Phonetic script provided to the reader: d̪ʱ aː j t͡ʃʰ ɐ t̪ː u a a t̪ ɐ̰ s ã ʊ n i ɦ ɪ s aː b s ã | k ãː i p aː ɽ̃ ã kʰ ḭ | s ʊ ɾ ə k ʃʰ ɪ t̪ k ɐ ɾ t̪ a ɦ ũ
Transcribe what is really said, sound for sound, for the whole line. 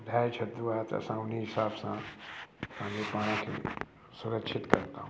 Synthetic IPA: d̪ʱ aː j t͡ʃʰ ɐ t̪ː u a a t̪ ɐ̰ s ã ʊ n i ɦ ɪ s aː b s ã | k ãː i p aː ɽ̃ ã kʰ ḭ | s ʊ ɾ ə k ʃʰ ɪ t̪ k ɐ ɾ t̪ a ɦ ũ